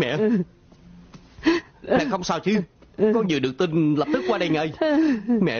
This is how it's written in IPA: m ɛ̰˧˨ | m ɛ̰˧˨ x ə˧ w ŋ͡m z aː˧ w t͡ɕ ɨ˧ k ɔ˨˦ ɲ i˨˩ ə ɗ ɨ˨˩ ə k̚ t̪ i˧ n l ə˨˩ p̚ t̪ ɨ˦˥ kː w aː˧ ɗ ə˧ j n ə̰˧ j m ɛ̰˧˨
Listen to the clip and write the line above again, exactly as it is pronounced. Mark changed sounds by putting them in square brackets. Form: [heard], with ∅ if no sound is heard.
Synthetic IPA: m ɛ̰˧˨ | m ɛ̰˧˨ x ə˧ w ŋ͡m [s] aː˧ w t͡ɕ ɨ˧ k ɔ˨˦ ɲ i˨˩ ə ɗ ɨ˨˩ ə k̚ t̪ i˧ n l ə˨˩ p̚ t̪ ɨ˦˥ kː w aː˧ ɗ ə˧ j [ŋ] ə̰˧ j m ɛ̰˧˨